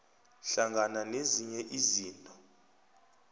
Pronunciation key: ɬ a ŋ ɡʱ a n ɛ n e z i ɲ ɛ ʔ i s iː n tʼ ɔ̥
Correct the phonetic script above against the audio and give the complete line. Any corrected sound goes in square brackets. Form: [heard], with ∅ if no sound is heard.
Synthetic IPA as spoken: ɬ a ŋ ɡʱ a n [a] n e z i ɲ ɛ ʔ i [z] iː n tʼ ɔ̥